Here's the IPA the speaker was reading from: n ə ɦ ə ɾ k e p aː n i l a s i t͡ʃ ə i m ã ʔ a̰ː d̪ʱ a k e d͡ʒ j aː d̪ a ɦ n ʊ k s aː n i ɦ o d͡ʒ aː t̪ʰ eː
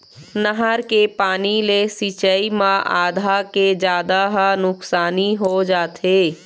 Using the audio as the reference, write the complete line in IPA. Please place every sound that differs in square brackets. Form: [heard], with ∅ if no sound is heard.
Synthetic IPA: n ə ɦ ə ɾ k e p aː n i l [e] s i t͡ʃ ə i m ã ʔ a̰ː d̪ʱ a k e d͡ʒ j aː d̪ a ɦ n ʊ k s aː n i ɦ o d͡ʒ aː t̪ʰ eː